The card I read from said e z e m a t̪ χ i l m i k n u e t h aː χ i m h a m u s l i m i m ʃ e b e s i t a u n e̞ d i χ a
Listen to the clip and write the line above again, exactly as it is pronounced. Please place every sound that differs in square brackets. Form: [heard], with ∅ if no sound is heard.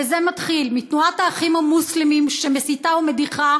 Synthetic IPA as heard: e z e m a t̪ χ i l m i [t] n u [a] t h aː χ i m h a m u s l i m i m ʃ e [m] e s i t a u [m] e̞ d i χ a